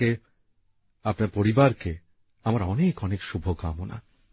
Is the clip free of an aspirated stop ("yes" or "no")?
yes